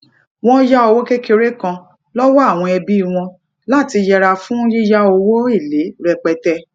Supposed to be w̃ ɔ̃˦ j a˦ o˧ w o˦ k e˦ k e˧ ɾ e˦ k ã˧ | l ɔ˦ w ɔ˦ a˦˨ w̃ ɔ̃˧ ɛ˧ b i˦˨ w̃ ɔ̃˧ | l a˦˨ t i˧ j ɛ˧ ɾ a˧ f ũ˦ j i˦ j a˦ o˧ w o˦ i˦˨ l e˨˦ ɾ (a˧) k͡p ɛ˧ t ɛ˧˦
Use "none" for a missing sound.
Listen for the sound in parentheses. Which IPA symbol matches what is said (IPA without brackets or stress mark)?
ɛ˧